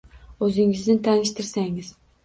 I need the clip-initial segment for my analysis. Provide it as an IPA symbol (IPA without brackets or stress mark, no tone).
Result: ɵ